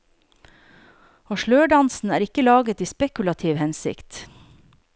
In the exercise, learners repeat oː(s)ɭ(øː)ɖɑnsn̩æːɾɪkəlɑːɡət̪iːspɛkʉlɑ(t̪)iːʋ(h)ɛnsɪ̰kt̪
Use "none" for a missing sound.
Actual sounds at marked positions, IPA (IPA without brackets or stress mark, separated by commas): ʃ, øː, t̪ʰ, h